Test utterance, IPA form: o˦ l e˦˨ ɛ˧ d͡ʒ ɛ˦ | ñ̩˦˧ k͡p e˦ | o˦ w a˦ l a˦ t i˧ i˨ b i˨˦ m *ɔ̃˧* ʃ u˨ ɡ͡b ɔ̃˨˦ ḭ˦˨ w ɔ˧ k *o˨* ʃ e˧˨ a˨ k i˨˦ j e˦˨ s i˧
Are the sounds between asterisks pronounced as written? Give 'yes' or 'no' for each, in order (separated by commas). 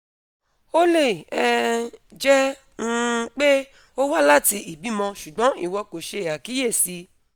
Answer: yes, yes